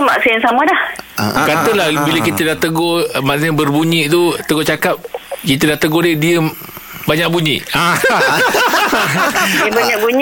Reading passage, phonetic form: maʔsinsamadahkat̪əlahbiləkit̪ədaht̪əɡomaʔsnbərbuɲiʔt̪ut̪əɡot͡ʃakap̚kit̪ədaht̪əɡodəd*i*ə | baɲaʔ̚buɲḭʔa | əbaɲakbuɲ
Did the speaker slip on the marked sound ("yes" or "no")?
no